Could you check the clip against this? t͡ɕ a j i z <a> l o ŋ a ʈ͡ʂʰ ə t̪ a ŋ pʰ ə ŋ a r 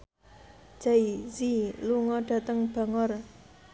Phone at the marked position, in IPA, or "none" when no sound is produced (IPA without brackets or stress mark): i